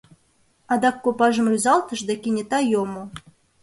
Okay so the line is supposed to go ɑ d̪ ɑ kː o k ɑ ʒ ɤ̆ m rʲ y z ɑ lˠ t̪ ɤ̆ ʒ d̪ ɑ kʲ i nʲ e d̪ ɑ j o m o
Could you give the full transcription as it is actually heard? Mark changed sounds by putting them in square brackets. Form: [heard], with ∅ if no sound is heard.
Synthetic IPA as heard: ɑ d̪ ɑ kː o [p] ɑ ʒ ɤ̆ m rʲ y z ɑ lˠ t̪ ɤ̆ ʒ d̪ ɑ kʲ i nʲ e [t̪] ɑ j o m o